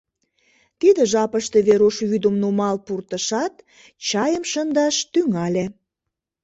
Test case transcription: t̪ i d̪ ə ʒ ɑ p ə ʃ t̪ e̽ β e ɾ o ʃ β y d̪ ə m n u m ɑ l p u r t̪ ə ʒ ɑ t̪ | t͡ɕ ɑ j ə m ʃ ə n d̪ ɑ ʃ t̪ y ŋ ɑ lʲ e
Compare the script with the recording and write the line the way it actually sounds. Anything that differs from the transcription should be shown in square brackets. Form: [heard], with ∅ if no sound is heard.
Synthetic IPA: t̪ i d̪ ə ʒ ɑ p ə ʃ t̪ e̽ β e ɾ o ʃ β y d̪ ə m n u m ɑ l p u r t̪ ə [ʃ] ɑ t̪ | t͡ɕ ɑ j ə m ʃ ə n d̪ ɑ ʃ t̪ y ŋ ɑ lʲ e